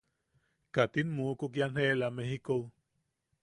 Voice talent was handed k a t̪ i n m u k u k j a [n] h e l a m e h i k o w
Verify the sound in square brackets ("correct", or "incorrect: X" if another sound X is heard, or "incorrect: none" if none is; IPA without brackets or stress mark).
correct